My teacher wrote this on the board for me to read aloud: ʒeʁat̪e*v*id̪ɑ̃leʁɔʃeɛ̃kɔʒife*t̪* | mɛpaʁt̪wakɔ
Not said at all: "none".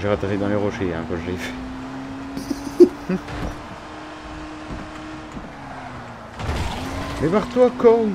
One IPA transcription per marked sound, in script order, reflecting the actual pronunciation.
ʁ, none

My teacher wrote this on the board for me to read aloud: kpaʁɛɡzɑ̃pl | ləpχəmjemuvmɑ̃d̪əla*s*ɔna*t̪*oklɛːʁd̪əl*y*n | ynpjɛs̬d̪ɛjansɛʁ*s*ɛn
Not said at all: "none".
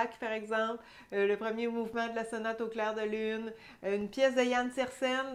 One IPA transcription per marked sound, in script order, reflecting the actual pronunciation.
s, t̪, y, s

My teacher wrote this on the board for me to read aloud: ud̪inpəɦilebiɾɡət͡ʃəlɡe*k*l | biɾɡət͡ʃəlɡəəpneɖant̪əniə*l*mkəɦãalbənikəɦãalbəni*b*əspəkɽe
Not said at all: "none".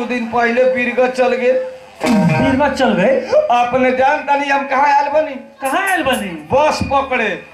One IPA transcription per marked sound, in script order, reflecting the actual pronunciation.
none, none, b

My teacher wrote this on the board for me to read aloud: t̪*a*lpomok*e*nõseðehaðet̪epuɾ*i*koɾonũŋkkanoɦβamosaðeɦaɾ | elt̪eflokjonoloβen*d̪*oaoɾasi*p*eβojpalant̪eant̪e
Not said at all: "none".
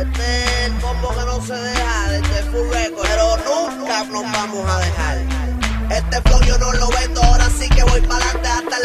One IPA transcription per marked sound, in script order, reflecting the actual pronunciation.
e, e, e, d̪, k

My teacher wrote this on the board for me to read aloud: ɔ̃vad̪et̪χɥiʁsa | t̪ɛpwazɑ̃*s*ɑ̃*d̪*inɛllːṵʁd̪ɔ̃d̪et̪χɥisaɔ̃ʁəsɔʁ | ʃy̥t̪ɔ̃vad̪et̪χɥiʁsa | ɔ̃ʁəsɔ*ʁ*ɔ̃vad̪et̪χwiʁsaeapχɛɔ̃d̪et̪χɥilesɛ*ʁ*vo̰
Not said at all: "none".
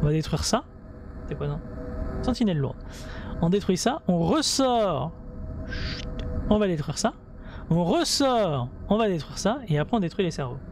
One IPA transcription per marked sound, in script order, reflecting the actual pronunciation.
s, t̪, ʁ, ʁ

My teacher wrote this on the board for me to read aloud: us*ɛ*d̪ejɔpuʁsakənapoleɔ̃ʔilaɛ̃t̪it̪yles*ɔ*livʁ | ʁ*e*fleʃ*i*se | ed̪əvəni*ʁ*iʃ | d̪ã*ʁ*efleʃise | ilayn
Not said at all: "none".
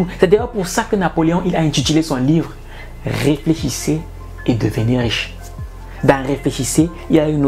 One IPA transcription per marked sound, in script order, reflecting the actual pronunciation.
ɛ, ɔ̃, e, i, ʁ, ʁ

